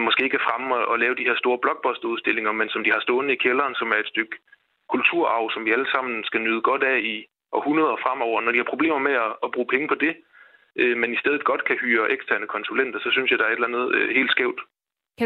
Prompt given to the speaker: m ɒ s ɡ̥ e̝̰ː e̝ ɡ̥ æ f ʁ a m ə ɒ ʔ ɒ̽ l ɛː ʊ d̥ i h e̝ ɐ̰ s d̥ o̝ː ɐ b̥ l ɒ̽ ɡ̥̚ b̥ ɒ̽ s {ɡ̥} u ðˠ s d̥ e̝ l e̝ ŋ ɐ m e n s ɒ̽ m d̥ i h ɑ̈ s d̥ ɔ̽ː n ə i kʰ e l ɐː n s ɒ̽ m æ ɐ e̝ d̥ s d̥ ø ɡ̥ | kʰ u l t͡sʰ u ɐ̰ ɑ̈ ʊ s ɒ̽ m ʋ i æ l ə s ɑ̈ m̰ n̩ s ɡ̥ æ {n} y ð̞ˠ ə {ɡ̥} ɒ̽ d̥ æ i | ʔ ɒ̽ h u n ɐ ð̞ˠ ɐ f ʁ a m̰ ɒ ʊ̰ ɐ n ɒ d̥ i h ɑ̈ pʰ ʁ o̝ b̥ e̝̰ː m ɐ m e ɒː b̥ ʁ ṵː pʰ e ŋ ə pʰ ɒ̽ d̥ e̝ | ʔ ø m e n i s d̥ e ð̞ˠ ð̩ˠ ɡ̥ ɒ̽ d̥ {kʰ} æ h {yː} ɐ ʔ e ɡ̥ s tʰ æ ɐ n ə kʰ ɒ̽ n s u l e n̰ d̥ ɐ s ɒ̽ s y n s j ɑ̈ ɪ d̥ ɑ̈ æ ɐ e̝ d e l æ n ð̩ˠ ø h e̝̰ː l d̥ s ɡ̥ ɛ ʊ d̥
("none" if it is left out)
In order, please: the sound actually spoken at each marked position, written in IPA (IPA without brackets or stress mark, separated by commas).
d̥, n, ɡ̥, kʰ, yː